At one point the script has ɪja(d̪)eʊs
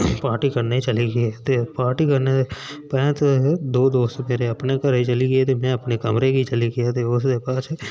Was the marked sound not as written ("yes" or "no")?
yes